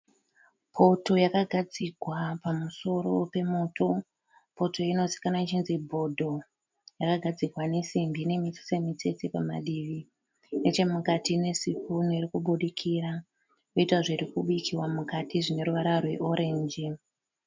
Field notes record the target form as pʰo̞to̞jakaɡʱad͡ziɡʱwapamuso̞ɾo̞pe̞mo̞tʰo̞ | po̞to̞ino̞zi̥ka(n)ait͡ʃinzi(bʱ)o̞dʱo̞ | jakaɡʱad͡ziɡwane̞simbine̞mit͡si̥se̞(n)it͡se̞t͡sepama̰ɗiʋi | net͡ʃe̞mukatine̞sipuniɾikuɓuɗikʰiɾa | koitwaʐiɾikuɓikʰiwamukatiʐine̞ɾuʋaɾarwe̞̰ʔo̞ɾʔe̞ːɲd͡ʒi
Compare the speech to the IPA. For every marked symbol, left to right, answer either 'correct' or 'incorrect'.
correct, correct, incorrect: m

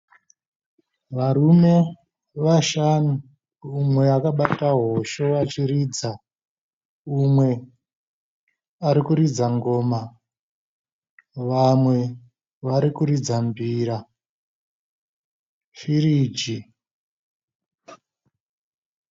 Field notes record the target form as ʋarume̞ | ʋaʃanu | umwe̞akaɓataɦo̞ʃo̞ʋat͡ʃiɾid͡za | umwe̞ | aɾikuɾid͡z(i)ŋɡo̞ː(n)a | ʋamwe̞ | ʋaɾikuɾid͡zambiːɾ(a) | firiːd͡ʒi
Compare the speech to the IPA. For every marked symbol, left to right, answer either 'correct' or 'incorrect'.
incorrect: a, incorrect: m, correct

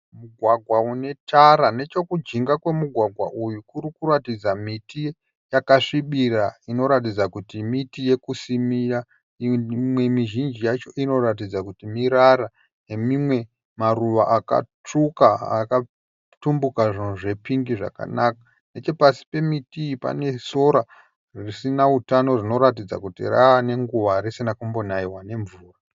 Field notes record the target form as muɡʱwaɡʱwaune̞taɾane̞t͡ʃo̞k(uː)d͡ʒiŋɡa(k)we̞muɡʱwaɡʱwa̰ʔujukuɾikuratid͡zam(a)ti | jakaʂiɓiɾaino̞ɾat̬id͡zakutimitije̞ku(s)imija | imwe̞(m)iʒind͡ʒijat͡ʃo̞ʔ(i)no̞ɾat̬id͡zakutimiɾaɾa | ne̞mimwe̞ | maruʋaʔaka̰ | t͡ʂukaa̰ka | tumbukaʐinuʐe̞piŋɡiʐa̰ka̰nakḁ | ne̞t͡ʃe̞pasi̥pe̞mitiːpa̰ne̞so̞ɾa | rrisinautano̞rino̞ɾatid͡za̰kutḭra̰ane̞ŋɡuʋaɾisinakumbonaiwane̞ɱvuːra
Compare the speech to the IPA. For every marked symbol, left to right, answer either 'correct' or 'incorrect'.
incorrect: u, correct, incorrect: i, correct, correct, correct

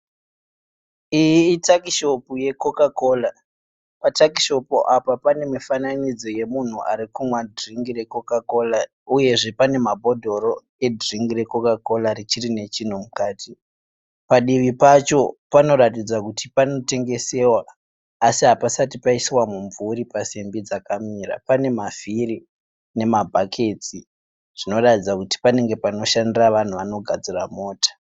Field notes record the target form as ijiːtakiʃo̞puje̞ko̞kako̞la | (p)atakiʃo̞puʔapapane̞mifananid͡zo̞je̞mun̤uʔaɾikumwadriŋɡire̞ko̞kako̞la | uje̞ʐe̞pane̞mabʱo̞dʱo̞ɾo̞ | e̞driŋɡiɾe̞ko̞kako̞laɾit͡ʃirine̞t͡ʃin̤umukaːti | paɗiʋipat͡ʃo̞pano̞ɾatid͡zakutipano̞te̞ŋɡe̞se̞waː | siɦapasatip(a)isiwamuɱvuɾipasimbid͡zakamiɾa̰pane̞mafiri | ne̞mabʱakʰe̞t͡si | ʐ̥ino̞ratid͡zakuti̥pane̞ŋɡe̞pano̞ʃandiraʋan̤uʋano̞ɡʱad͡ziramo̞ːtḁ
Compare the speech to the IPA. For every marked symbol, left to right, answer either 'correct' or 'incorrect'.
correct, correct

